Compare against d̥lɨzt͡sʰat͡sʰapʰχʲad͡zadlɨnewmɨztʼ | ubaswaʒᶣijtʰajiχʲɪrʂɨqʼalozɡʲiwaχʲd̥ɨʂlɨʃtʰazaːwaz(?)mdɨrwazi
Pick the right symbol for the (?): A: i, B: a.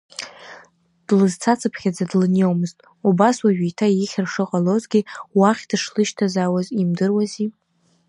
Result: A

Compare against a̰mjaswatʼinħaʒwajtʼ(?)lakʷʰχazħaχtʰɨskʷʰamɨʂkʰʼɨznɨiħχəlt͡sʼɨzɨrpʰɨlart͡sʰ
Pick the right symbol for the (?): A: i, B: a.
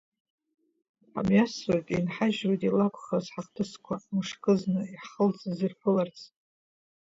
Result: A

